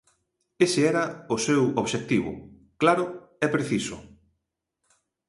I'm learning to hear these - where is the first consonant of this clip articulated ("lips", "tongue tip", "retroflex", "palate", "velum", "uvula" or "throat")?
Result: tongue tip